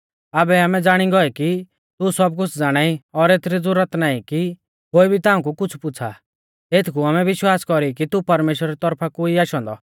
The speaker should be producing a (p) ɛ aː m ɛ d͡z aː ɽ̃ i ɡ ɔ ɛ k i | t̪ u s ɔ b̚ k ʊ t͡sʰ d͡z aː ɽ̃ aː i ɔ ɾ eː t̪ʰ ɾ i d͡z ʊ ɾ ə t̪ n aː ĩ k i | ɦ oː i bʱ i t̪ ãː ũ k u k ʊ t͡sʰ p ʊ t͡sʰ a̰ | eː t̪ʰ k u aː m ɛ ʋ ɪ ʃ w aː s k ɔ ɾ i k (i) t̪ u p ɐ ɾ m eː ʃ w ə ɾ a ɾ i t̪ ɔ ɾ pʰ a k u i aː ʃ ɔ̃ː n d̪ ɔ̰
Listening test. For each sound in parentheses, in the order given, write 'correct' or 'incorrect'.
incorrect, correct

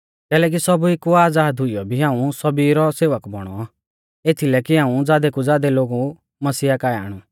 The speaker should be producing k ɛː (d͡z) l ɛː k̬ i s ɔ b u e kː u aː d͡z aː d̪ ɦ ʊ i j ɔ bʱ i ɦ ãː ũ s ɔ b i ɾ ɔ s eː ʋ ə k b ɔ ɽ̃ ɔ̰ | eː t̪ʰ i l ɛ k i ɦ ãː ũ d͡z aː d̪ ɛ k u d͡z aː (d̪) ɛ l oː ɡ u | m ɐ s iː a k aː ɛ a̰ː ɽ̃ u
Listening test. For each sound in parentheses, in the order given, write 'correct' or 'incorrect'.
incorrect, correct

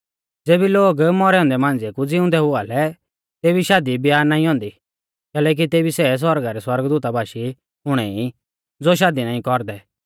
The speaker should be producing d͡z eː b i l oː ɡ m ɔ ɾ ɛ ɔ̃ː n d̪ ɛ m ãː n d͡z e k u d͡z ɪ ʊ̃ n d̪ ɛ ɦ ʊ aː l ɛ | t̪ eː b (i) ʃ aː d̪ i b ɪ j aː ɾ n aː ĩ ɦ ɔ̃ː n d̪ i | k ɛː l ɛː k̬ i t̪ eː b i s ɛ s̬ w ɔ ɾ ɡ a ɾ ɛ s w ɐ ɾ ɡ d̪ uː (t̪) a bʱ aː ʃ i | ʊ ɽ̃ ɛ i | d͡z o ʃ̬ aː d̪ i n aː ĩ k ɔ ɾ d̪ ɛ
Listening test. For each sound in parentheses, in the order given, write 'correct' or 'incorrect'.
correct, correct

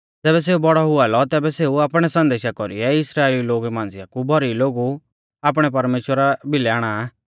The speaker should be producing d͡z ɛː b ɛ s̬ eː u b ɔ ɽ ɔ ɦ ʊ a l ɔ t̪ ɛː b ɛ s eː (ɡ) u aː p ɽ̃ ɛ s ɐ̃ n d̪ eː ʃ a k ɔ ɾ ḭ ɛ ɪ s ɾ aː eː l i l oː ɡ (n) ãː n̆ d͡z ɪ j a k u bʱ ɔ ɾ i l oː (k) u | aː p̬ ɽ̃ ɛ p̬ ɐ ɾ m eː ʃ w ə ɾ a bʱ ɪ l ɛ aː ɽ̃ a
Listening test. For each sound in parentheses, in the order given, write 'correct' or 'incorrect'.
incorrect, incorrect, incorrect

